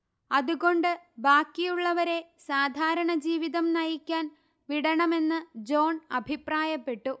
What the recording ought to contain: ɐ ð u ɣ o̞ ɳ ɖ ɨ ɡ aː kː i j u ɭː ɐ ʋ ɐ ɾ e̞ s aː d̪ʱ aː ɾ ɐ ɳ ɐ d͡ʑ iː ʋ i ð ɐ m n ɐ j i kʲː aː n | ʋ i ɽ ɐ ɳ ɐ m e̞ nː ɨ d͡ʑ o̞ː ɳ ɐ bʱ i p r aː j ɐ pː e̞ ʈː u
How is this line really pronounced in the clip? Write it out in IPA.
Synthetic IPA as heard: ɐ ð u ɣ o̞ ɳ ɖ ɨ b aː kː i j u ɭː ɐ ʋ ɐ ɾ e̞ s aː d̪ʱ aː ɾ ɐ ɳ ɐ d͡ʑ iː ʋ i ð ɐ m n ɐ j i kʲː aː n | ʋ i ɽ ɐ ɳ ɐ m e̞ nː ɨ d͡ʑ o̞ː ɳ ɐ bʱ i p r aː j ɐ pː e̞ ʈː u